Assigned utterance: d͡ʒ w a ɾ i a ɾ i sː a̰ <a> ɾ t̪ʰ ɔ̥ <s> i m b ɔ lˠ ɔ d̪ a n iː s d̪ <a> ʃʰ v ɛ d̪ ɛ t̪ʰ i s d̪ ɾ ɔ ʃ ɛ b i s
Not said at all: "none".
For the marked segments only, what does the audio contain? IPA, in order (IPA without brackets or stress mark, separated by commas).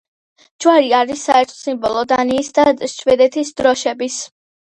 ɛ, s, a